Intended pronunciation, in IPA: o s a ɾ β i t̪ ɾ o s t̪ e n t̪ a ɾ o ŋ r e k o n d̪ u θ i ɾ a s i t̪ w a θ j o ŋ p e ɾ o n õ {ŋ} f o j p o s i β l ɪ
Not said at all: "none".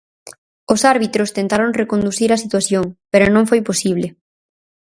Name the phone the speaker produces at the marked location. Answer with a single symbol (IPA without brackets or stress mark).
ŋ